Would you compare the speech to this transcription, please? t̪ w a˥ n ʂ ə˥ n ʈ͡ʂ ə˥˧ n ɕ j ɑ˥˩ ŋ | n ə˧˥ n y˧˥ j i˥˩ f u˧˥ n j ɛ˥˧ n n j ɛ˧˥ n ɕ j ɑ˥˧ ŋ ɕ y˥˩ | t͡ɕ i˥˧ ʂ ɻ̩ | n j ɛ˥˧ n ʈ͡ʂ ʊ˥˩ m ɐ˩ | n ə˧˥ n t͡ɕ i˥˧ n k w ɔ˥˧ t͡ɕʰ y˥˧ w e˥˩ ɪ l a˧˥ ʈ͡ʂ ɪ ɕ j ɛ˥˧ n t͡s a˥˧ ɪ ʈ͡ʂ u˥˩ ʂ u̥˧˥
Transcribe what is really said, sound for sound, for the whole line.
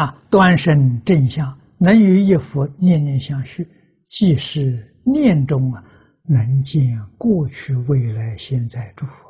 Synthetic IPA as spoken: t̪ w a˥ n ʂ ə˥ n ʈ͡ʂ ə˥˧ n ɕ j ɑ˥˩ ŋ | n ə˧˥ n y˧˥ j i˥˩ f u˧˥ n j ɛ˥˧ n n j ɛ˥˧ n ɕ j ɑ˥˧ ŋ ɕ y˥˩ | t͡ɕ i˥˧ ʂ ɻ̩ | n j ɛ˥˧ n ʈ͡ʂ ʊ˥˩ ŋ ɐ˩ | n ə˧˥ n t͡ɕ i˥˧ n k w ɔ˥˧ t͡ɕʰ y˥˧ w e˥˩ ɪ l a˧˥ ɪ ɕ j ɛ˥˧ n t͡s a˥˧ ɪ ʈ͡ʂ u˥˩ f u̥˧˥